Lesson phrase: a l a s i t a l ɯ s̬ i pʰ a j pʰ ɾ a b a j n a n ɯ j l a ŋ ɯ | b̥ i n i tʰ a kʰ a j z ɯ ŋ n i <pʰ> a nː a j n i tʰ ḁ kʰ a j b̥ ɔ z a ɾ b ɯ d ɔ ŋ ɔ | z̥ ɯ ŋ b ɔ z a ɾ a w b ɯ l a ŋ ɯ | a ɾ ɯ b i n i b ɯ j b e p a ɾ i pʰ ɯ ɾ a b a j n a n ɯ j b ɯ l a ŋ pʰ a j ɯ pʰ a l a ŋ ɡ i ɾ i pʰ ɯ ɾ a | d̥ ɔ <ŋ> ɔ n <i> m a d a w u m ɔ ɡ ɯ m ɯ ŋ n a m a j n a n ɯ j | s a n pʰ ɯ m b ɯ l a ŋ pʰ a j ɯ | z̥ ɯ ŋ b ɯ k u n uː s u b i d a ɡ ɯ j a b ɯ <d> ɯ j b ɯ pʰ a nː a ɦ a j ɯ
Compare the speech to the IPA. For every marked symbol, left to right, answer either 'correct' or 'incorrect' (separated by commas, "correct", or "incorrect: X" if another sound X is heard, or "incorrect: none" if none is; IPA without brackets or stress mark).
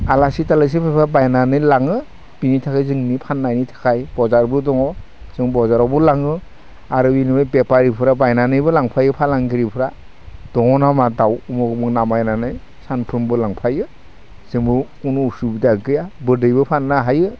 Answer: correct, correct, incorrect: a, correct